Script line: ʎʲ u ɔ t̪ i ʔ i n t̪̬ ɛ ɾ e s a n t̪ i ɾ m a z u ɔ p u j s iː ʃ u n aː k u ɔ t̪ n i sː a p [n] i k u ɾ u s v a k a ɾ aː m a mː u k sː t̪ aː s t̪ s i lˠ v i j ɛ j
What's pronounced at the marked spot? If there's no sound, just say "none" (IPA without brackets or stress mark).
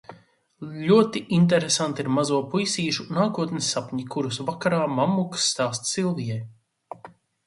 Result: ɲ